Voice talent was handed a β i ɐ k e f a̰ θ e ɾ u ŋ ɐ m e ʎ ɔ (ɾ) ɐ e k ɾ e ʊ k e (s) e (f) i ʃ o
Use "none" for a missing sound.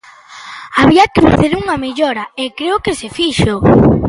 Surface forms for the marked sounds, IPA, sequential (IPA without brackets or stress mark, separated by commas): ɾ, s, f